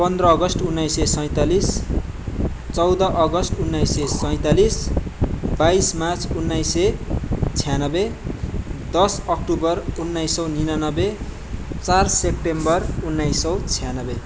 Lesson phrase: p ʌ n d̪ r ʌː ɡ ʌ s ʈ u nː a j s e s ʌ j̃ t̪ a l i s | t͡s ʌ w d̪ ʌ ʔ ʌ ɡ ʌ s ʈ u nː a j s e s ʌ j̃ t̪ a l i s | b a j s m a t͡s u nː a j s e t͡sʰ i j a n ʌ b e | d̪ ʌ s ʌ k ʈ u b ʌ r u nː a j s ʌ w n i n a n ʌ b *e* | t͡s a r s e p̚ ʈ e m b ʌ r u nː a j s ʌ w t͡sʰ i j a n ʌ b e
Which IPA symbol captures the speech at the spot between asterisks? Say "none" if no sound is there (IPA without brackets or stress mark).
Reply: e